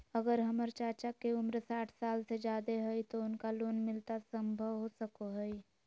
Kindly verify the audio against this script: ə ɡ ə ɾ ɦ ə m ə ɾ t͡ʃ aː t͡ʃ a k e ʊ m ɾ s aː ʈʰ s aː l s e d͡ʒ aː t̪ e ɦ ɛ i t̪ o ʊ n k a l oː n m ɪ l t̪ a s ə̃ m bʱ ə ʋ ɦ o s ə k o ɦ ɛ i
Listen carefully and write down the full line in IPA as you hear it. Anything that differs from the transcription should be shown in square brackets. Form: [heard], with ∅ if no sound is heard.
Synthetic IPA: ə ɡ ə ɾ ɦ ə m ə ɾ t͡ʃ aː t͡ʃ a k e ʊ m ɾ s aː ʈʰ s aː l s e d͡ʒ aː [d̪] e ɦ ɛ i t̪ o ʊ n k a l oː n m ɪ l t̪ a s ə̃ m bʱ ə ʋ ɦ o s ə k o ɦ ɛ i